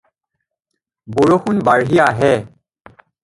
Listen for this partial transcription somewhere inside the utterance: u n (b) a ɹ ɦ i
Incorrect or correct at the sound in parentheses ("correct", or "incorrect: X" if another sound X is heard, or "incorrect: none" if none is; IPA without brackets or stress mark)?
correct